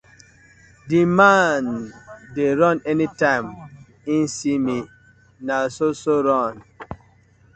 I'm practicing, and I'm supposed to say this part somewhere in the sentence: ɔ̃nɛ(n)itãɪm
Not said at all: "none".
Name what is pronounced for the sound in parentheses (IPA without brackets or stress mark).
n